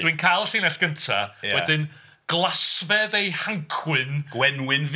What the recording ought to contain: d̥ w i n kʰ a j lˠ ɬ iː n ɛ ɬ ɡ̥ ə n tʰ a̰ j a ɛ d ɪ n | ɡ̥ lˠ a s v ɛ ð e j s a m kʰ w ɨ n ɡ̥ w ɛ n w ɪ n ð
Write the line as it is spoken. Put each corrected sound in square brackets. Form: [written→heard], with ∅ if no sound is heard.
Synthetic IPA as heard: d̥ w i n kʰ a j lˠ ɬ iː n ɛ ɬ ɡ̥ ə n tʰ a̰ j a ɛ d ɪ n | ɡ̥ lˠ a s v ɛ ð e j [s→h] a [m→ŋ] kʰ w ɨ n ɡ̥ w ɛ n w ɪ n [ð→v]